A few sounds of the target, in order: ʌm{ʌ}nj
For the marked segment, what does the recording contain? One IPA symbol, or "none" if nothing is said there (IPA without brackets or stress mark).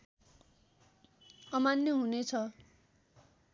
a